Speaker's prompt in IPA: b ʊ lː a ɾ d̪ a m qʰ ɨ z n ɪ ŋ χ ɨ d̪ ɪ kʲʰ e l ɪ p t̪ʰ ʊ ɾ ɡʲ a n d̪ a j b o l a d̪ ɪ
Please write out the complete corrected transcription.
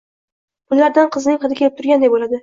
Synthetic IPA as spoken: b ʊ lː a ɾ d̪ a n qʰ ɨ z n ɪ ŋ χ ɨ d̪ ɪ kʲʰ e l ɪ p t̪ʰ ʊ ɾ ɡʲ a n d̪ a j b o l a d̪ ɪ